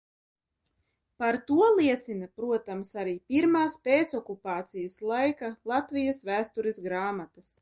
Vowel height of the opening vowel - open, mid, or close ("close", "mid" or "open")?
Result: open